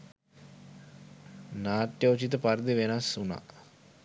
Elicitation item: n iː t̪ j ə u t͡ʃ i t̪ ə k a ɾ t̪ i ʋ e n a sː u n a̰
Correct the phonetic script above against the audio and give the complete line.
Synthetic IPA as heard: n aː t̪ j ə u t͡ʃ i t̪ ə p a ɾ d̪ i ʋ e n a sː u n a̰

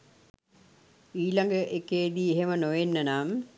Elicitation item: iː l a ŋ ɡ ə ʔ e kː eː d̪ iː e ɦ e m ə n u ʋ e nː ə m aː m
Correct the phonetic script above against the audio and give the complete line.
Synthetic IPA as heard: iː l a ŋ ɡ ə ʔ e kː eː d̪ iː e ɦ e m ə n o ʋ e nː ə n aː m

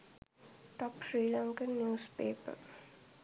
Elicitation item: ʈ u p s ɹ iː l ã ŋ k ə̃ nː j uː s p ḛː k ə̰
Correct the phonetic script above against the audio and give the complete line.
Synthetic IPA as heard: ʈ ɔ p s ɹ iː l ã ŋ k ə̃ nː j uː s p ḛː p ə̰

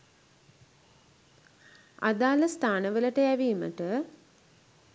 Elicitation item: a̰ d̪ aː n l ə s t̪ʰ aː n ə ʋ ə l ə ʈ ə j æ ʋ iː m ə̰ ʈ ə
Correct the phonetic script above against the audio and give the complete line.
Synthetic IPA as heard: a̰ d̪ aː l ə s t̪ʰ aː n ə ʋ ə l ə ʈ ə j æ ʋ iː m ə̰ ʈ ə

